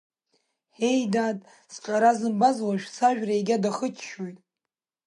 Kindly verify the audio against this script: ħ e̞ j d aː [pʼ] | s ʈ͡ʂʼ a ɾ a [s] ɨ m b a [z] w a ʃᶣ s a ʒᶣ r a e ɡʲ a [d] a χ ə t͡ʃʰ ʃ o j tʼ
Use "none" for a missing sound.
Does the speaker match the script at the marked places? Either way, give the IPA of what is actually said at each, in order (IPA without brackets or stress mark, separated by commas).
tʼ, z, z, d